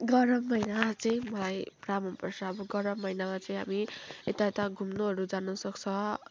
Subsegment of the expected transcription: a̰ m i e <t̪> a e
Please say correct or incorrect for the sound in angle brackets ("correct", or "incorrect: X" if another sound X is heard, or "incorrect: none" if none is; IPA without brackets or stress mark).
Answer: correct